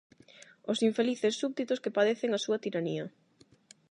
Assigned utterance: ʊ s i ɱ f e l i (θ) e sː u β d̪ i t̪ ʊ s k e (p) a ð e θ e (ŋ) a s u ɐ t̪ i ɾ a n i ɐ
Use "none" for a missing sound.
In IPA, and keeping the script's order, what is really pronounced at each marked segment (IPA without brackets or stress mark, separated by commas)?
θ, p, ŋ